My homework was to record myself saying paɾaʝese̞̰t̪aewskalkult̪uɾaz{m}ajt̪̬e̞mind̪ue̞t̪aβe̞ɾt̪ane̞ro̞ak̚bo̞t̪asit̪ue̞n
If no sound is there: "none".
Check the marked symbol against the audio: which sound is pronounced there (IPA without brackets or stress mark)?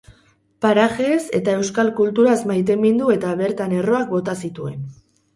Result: m